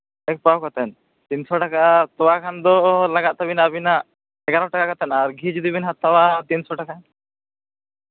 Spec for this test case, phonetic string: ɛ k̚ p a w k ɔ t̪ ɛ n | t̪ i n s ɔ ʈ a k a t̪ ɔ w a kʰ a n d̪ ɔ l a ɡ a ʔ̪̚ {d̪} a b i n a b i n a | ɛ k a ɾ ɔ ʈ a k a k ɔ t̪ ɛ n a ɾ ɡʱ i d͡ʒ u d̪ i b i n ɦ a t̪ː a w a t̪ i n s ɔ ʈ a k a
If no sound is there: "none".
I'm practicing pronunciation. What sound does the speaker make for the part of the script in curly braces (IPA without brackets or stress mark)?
t̪